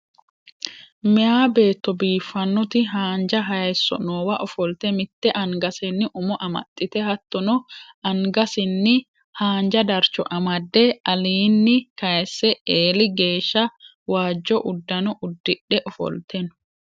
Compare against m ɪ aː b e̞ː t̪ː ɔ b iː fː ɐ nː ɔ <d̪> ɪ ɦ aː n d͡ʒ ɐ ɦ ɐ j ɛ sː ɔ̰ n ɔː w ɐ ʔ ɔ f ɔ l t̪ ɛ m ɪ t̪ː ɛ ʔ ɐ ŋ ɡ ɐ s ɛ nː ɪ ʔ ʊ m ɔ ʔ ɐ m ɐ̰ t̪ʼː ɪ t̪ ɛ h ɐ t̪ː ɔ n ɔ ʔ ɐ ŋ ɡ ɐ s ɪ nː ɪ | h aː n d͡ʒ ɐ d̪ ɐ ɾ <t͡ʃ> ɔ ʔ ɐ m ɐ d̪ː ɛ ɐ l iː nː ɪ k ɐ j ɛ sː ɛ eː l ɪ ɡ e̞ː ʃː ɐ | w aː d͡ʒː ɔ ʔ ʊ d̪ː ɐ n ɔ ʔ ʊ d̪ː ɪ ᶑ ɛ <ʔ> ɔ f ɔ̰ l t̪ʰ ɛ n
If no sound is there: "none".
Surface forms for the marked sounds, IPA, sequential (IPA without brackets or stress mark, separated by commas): t̪, t͡ʃ, ʔ